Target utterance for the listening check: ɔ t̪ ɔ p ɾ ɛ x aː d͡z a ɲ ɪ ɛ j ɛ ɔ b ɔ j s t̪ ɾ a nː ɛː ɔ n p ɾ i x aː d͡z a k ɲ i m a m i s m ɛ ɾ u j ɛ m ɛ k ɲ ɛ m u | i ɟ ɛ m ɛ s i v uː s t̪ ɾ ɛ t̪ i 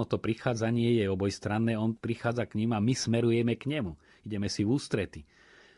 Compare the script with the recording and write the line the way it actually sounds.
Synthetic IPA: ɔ t̪ ɔ p ɾ i x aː d͡z a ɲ ɪ ɛ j ɛ ɔ b ɔ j s t̪ ɾ a nː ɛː ɔ n p ɾ i x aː d͡z a k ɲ i m a m i s m ɛ ɾ u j ɛ m ɛ k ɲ ɛ m u | i ɟ ɛ m ɛ s i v uː s t̪ ɾ ɛ t̪ i